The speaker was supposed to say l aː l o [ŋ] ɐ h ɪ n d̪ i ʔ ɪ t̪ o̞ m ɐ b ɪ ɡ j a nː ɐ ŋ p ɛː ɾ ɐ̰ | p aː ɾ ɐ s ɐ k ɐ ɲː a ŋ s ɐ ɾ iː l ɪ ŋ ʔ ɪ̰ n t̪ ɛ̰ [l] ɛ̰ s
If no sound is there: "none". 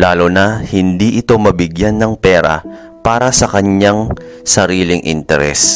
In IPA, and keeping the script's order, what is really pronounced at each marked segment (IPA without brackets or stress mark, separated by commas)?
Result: n, ɾ